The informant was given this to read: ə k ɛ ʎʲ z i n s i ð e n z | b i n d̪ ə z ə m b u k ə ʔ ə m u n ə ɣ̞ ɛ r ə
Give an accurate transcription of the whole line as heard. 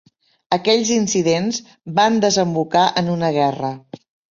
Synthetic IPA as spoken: ə k ɛ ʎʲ z i n s i ð e n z | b a n d̪ ə z ə m b u k a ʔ ə n u n ə ɣ̞ ɛ r ə